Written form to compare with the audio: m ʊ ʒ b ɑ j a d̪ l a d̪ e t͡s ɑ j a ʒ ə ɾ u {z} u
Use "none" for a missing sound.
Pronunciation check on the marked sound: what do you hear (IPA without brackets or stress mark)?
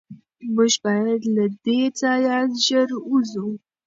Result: z